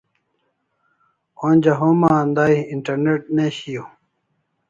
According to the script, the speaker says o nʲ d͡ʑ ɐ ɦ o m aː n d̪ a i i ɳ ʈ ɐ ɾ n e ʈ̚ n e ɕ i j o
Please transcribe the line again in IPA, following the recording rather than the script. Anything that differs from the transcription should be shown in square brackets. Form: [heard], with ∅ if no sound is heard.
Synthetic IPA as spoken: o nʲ d͡ʑ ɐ ɦ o m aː n d̪ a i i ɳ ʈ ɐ ɾ n e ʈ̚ n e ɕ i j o